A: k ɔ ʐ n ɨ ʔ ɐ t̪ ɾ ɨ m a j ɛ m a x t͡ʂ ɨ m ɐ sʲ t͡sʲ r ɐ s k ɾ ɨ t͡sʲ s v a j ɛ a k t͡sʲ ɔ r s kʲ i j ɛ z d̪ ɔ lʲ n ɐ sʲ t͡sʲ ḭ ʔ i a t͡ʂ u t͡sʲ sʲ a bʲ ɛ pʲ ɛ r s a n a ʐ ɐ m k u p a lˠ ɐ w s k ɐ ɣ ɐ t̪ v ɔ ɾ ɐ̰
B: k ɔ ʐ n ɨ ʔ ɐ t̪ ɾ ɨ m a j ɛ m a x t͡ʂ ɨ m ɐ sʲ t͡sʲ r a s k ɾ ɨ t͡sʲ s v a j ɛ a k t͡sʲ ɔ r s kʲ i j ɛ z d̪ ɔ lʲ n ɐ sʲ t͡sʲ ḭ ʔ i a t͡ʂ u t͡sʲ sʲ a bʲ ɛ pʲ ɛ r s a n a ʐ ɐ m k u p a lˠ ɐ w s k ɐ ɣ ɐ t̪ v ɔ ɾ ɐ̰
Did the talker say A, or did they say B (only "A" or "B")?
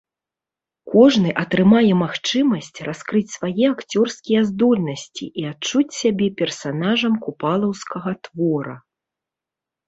B